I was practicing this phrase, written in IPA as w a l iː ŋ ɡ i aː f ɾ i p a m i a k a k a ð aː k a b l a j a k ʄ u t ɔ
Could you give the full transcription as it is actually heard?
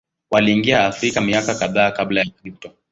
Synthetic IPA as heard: w a l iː ŋ ɡ i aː f ɾ i k a m i a k a k a ð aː k a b l a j a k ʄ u t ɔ